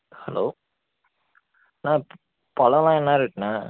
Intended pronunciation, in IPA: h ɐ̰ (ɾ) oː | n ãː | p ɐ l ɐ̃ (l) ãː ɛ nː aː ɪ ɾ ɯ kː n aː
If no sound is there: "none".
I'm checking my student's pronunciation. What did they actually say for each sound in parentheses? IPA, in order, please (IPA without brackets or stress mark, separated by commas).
l, l